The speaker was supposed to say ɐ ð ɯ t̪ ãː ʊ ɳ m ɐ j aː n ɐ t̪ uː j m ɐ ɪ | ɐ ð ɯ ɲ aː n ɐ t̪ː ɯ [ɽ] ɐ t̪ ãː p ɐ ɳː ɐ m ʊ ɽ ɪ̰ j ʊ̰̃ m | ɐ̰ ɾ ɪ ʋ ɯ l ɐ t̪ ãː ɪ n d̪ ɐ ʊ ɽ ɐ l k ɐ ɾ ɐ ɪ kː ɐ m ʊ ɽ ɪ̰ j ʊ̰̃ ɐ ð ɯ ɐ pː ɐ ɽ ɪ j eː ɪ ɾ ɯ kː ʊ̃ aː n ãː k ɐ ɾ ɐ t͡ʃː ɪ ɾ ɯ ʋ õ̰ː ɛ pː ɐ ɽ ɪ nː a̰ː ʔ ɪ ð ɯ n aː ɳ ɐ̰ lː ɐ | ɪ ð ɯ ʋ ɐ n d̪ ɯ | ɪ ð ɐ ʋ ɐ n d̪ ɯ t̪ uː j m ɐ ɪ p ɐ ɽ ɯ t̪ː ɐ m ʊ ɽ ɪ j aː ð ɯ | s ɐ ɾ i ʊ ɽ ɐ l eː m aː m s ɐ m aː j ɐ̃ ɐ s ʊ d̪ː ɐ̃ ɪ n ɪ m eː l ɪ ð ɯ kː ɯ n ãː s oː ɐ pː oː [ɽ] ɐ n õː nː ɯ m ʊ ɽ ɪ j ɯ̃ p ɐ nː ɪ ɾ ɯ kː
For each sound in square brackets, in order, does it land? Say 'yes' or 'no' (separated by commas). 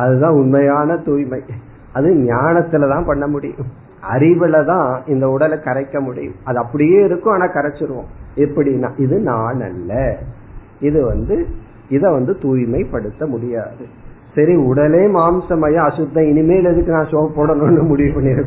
no, yes